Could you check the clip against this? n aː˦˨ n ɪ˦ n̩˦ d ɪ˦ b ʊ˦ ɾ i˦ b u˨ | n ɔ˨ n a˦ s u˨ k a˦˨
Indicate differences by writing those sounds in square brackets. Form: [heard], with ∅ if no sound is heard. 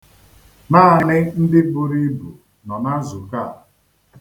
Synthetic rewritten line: n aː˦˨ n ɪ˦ n̩˦ d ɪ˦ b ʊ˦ ɾ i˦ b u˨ | n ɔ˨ n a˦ [z] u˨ k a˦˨